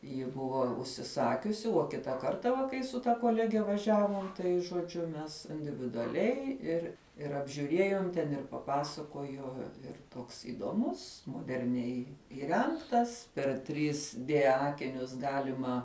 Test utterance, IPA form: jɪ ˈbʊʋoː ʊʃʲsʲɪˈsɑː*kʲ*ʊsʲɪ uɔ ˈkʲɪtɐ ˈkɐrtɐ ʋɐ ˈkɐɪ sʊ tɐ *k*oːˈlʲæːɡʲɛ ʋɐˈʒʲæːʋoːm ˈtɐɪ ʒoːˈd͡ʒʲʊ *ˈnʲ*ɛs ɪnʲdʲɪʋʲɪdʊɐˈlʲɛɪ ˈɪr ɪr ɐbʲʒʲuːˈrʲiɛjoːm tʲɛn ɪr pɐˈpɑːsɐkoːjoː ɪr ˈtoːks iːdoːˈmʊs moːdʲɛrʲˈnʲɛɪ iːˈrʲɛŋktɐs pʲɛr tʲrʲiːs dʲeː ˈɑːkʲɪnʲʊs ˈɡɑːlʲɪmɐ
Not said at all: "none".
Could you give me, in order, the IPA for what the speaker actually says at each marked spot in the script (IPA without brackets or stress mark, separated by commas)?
kʲ, k, mʲ